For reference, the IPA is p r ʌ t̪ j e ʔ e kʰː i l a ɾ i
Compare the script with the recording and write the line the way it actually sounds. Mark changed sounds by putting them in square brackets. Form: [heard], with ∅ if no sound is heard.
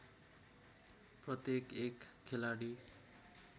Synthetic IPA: p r ʌ t̪ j e [k] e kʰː [e] l a [ɽ] i